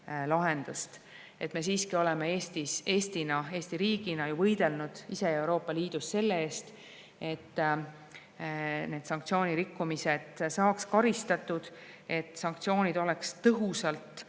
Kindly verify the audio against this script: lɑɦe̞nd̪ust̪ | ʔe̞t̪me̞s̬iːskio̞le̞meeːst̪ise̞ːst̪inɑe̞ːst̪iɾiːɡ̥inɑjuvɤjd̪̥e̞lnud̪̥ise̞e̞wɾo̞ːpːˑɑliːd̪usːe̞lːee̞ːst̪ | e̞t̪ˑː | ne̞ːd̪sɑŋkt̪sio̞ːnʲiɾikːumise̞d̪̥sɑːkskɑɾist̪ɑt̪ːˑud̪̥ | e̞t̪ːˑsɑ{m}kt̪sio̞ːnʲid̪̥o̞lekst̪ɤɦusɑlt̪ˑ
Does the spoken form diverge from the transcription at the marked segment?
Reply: yes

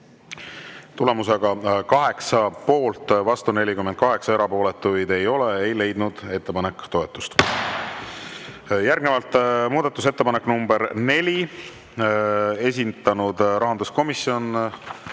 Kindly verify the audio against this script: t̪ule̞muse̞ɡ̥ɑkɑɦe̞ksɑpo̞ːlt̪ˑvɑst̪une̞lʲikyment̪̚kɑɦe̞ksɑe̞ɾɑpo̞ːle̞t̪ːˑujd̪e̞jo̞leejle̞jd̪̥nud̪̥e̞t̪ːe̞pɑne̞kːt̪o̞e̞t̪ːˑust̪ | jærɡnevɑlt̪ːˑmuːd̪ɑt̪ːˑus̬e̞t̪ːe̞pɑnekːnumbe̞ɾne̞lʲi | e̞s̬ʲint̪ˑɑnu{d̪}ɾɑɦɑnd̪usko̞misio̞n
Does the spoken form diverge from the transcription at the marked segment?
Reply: no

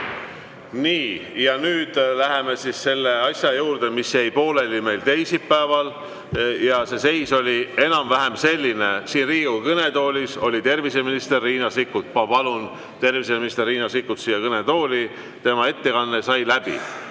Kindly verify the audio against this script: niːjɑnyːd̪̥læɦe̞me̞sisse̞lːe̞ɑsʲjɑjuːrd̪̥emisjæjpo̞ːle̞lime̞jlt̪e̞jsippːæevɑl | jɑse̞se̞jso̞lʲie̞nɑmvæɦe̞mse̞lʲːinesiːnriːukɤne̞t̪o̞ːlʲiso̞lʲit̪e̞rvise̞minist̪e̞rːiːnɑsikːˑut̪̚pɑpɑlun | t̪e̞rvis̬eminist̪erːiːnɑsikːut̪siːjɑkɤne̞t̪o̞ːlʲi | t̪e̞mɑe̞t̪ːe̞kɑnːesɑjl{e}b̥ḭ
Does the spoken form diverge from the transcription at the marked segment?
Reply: yes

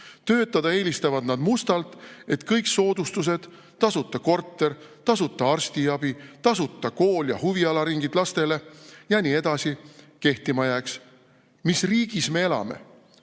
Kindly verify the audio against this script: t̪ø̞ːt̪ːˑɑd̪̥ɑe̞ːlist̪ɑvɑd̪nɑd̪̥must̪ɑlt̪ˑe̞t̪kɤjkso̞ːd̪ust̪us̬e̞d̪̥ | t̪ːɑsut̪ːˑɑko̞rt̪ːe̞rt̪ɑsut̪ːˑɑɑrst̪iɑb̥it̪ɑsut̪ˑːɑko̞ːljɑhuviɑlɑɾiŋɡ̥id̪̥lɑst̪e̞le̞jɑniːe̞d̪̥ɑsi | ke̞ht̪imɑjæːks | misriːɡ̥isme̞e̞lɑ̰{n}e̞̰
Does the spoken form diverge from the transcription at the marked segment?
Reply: yes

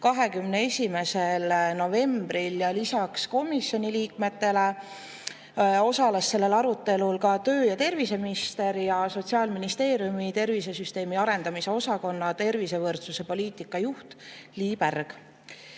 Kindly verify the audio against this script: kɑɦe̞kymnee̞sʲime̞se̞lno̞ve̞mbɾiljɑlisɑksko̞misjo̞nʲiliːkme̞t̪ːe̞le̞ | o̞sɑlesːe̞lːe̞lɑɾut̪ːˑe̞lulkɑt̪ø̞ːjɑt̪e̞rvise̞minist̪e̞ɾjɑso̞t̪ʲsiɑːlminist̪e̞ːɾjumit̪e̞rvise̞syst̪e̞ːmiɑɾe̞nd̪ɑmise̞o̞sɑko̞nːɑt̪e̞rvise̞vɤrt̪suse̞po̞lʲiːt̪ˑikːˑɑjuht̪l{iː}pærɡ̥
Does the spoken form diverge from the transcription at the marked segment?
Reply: no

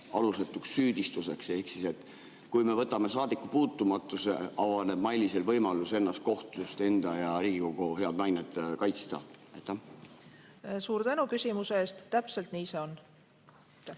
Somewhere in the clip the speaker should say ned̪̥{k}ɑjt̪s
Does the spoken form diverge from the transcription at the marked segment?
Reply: no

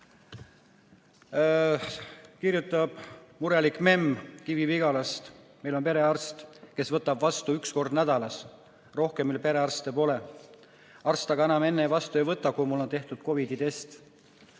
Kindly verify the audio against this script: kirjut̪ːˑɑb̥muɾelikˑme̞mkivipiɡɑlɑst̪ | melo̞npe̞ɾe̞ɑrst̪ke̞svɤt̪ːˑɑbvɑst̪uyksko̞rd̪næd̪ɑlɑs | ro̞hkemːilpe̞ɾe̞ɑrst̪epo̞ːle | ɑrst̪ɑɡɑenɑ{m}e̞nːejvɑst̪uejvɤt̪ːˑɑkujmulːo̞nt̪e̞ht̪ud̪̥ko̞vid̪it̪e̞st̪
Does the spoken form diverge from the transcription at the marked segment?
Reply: no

